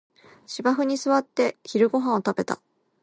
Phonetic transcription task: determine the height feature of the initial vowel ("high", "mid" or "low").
high